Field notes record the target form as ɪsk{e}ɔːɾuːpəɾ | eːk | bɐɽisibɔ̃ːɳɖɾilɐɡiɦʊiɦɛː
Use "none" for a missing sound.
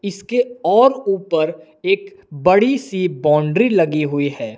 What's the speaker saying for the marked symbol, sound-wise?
e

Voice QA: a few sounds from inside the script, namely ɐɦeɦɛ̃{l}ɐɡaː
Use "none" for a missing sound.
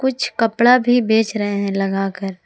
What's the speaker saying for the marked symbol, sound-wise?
l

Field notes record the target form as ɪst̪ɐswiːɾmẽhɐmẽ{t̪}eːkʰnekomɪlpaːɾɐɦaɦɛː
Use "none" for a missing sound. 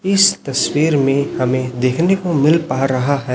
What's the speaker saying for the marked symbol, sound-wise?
d̪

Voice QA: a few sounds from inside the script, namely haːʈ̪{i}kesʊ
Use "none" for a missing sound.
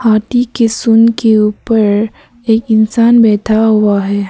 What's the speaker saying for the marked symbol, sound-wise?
i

